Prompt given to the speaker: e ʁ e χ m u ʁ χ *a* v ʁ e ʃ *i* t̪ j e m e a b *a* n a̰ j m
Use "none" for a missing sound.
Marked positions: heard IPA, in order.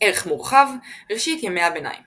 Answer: a, i, e

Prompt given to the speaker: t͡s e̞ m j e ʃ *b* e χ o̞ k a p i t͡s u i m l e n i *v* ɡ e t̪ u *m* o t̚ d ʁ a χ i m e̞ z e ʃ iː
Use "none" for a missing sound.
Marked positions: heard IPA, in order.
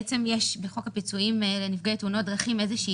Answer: b, f, n

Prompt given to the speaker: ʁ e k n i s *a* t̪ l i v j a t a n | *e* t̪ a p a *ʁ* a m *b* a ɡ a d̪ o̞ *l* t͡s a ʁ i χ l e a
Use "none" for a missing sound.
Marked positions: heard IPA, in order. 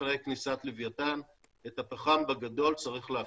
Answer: a, e, χ, b, l

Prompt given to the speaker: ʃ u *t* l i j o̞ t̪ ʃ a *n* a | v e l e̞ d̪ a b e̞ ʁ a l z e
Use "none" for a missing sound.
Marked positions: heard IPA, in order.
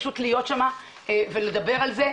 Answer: t, m

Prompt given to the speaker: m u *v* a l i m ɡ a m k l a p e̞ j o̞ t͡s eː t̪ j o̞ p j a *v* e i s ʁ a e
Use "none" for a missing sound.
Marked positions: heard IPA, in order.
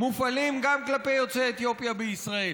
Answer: f, b

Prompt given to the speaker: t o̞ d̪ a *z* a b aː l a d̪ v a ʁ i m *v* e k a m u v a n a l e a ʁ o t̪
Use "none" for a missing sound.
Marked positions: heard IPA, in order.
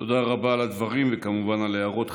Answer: ʁ, v

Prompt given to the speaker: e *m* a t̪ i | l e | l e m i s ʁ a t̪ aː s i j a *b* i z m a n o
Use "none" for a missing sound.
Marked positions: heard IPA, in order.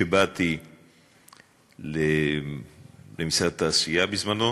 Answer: b, b

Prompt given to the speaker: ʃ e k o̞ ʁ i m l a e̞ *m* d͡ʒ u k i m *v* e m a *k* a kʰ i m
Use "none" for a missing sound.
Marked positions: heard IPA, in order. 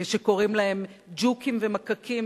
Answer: m, v, k

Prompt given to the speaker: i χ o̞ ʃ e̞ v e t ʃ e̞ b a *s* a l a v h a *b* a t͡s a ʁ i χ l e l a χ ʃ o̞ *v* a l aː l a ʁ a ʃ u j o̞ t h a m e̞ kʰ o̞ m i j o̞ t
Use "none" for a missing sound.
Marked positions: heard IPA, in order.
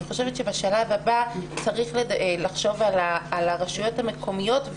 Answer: ʃ, b, v

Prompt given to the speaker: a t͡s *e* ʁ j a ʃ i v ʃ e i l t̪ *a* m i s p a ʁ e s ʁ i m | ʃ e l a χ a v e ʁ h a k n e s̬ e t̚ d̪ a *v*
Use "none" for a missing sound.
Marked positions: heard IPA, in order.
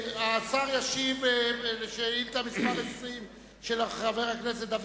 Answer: a, a, v

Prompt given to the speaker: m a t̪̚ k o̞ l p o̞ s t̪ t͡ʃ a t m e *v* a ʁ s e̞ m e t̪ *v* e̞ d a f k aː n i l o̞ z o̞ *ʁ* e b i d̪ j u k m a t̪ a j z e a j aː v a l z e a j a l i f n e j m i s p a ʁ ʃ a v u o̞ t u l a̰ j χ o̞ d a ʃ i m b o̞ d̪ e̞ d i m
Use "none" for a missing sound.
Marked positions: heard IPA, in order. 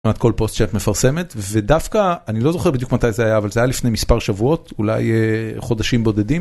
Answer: f, v, χ

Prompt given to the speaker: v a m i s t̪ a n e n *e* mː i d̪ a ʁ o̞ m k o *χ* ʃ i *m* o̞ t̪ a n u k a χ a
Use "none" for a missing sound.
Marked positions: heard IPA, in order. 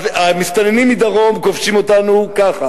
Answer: i, f, m

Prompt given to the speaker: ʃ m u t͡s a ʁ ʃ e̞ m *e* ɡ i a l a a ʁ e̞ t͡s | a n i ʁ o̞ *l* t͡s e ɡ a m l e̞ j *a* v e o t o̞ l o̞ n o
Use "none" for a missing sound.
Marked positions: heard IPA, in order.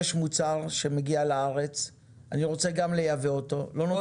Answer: e, none, a

